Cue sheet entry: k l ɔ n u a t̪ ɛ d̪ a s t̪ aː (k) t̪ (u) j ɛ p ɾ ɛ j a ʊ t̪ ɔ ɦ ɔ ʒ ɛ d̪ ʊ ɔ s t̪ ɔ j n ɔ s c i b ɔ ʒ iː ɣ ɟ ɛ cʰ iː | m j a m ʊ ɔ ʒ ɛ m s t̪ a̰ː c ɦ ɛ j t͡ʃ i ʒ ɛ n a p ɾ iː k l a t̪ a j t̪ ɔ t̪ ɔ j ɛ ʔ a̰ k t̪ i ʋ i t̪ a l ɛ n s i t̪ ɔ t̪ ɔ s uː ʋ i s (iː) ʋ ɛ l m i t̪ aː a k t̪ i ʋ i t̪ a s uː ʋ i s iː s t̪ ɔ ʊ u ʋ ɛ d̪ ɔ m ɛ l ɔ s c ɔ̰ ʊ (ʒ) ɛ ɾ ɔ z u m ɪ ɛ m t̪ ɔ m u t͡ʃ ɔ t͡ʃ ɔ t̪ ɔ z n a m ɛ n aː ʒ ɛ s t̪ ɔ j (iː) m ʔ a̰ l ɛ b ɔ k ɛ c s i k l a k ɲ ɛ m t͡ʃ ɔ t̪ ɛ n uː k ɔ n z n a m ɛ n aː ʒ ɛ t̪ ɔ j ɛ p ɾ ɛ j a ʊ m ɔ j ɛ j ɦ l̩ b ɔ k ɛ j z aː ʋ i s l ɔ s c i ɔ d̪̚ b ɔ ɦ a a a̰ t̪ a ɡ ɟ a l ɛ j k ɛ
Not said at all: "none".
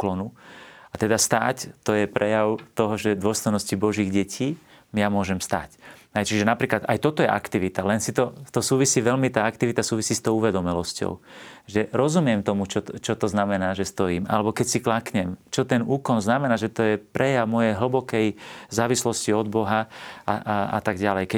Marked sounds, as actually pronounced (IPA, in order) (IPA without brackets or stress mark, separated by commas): c, ɔ, iː, ʒ, iː